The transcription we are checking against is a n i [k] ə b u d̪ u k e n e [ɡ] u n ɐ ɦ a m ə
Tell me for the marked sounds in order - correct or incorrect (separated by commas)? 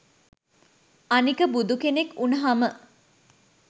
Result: correct, incorrect